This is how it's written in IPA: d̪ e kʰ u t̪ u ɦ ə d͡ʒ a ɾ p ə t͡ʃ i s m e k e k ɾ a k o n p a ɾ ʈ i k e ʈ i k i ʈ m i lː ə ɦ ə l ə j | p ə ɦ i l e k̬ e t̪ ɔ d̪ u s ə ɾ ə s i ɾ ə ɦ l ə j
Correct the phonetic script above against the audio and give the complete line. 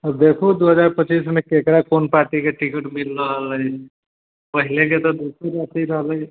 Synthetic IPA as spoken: d̪ e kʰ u d̪ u ɦ ə d͡ʒ a ɾ p ə t͡ʃ i s m e k e k ɾ a k o n p a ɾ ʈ i k e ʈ i k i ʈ m i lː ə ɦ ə l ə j | p ə ɦ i l e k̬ e t̪ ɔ d̪ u s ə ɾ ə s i ɾ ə ɦ l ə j